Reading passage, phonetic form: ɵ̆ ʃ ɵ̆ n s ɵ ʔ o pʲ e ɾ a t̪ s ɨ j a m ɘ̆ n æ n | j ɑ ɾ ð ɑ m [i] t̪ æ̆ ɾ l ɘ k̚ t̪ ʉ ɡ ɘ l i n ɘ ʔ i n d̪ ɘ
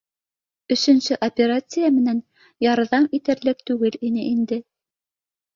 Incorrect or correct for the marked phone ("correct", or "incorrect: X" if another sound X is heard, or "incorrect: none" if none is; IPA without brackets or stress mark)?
correct